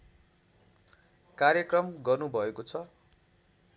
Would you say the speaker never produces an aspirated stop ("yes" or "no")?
no